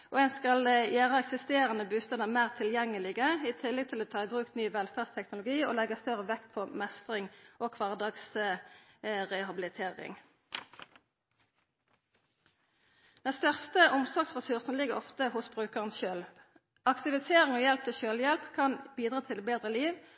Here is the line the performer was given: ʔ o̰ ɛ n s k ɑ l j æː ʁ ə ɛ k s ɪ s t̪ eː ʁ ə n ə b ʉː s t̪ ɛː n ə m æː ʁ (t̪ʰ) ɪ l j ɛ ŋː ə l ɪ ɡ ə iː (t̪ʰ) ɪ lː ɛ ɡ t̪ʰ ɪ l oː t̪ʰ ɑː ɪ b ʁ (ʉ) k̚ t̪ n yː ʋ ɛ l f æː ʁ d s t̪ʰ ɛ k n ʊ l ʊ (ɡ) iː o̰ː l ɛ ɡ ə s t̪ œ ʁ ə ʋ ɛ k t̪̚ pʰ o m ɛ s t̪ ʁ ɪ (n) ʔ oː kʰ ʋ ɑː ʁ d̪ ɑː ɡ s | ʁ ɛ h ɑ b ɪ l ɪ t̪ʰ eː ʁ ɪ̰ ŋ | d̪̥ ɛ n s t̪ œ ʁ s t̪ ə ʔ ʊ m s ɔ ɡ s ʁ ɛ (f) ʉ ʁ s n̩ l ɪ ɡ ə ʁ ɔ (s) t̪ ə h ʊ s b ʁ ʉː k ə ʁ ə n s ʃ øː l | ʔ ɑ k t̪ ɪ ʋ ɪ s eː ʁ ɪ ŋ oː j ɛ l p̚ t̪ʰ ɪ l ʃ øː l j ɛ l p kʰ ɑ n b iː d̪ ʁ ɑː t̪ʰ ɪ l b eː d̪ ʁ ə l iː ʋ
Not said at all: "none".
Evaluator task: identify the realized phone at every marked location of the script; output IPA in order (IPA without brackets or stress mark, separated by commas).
t̪ʰ, t̪ʰ, ʉː, ɡ, ŋ, s, f